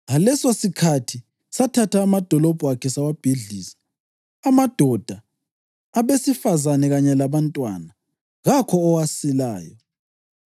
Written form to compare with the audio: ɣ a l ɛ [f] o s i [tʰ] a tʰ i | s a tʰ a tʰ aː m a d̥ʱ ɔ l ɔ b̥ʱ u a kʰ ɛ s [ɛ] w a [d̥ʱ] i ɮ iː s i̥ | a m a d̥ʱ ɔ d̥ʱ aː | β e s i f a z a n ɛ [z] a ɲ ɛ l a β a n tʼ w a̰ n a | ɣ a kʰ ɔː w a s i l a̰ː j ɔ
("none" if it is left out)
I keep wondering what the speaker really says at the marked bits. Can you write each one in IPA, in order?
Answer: s, kʰ, a, b̥ʱ, ɣ

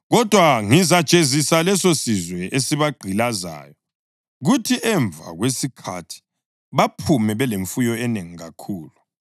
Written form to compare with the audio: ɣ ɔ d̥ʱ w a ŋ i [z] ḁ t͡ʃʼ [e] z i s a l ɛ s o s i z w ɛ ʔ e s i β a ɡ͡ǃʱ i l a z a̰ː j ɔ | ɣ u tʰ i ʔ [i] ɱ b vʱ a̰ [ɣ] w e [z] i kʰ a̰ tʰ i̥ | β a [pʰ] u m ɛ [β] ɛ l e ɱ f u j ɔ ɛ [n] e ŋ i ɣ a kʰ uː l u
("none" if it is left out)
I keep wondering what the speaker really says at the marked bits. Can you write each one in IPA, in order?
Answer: z, e, ɛ, ɣ, s, pʰ, β, n

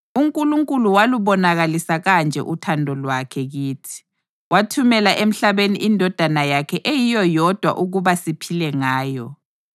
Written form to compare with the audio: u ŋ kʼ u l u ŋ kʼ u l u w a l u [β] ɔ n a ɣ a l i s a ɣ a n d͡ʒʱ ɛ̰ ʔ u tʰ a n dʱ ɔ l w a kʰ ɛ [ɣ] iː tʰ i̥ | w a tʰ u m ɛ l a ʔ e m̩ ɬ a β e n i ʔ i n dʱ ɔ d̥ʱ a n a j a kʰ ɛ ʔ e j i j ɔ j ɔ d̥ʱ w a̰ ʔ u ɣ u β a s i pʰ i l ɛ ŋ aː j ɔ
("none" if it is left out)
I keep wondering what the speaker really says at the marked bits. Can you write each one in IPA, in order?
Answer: β, ɣ

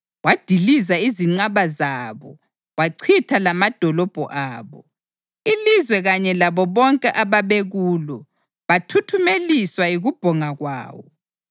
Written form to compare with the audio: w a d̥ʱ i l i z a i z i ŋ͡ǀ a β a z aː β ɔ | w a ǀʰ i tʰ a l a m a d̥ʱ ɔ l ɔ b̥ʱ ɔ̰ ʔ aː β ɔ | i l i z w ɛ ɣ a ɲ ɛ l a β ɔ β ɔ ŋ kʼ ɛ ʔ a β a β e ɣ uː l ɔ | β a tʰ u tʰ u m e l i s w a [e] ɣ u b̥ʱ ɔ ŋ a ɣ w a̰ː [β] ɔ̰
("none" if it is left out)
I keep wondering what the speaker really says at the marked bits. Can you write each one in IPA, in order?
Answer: i, w

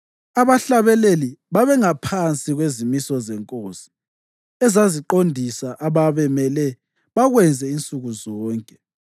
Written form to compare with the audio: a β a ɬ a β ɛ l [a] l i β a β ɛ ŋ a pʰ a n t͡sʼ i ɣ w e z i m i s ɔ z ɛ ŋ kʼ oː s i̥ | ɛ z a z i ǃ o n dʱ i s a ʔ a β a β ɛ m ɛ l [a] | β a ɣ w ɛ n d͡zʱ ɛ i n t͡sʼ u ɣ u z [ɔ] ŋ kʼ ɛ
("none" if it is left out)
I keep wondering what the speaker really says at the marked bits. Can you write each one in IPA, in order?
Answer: e, ɛ, ɔː

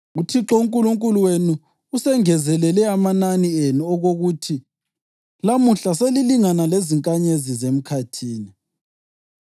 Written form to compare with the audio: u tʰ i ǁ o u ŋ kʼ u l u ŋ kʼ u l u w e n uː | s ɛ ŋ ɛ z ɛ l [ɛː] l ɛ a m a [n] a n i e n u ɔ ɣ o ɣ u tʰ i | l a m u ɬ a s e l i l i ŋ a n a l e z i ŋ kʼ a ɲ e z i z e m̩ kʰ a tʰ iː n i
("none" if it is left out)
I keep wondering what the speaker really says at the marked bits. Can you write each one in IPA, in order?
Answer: ɛ, n

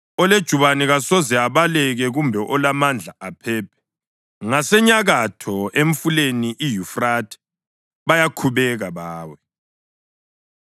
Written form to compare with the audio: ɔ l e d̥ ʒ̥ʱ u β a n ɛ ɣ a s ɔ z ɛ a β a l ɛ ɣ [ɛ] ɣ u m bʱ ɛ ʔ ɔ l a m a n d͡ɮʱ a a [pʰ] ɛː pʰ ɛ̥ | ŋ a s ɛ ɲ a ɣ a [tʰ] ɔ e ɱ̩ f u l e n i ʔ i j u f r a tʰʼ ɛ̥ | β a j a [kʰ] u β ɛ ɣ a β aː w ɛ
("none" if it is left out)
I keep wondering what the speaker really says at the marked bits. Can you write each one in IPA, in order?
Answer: ɛ, pʰ, tʰ, kʰ

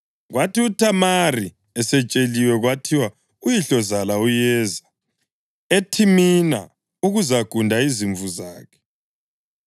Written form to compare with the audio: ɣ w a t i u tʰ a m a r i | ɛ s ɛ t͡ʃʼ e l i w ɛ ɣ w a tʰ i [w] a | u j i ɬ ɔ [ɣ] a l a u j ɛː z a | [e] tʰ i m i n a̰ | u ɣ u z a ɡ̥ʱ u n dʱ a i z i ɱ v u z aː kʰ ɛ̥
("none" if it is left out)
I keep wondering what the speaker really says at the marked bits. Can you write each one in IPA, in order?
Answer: w, z, e

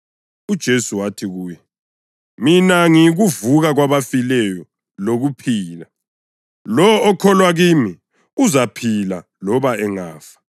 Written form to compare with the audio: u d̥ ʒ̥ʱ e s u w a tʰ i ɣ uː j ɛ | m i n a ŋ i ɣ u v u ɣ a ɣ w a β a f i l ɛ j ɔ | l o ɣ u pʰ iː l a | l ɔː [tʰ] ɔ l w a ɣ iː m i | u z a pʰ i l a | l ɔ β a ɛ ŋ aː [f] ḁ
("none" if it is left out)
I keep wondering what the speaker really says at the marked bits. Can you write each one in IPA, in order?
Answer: kʰ, f

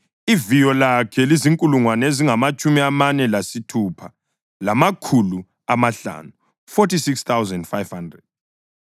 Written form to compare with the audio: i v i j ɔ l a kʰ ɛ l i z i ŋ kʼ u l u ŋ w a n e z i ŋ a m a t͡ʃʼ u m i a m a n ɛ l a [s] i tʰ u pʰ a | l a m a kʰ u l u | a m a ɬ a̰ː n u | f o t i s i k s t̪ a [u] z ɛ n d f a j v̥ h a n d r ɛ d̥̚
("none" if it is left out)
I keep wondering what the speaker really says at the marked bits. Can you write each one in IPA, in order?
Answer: s, w

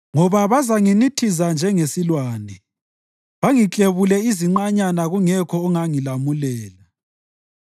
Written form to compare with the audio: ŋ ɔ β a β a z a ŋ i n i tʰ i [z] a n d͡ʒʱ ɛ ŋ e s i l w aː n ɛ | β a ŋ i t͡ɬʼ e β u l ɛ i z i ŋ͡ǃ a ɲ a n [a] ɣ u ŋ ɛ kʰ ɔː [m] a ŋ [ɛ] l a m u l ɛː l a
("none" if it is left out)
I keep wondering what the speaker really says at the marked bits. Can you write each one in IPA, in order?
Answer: z, a, ŋ, i

